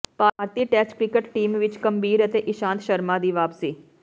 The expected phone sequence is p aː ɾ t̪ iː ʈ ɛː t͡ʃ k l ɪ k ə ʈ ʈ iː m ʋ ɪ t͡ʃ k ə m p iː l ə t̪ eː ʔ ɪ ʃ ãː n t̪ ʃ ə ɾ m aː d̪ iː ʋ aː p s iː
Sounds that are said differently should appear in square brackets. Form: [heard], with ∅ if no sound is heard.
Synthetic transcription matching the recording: p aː ɾ t̪ iː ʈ ɛː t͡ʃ k [ɾ] ɪ k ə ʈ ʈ iː m ʋ ɪ t͡ʃ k ə m [b] iː [ɾ] ə t̪ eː ʔ ɪ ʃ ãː n t̪ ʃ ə ɾ m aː d̪ iː ʋ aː p s iː